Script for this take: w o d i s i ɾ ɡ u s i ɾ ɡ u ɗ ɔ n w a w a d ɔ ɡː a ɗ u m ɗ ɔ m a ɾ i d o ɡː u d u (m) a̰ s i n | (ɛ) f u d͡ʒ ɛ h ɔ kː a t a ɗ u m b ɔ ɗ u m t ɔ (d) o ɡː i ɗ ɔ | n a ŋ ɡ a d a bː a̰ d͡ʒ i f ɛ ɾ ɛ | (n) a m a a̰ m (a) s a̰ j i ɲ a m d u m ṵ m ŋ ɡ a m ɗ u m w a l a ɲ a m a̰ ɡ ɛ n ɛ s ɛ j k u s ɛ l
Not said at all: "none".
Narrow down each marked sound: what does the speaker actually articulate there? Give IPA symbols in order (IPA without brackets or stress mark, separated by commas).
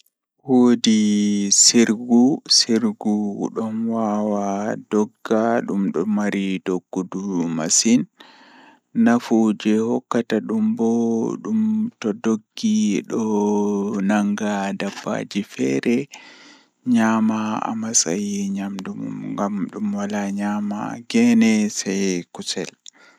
m, a, d, ɲ, a